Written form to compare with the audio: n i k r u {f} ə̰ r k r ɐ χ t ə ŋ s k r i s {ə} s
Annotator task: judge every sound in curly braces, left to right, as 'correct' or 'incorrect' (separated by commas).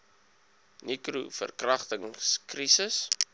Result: correct, correct